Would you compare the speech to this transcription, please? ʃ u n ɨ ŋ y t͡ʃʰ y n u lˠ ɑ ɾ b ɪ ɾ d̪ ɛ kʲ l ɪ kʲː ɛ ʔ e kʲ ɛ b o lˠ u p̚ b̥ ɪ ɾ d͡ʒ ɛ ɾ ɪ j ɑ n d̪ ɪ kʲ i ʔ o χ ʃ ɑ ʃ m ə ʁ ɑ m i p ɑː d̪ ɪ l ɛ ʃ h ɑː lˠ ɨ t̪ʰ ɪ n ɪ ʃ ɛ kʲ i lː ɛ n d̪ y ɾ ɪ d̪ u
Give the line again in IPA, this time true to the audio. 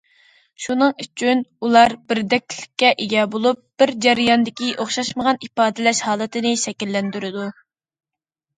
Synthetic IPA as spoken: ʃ u n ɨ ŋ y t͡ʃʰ y n u lˠ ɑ ɾ b ɪ ɾ d̪ ɛ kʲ l ɪ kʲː ɛ ʔ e ɡʲ ɛ b o lˠ u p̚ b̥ ɪ ɾ d͡ʒ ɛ ɾ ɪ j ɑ n d̪ ɪ kʲ i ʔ o χ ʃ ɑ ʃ m ə ʁ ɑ n i p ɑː d̪ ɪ l ɛ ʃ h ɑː lˠ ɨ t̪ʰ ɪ n ɪ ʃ ɛ kʲ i lː ɛ n d̪ y ɾ ɪ d̪ u